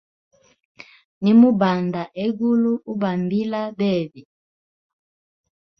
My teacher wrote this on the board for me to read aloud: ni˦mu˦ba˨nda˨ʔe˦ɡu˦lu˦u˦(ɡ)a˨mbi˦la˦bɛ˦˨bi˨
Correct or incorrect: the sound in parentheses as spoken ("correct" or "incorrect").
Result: incorrect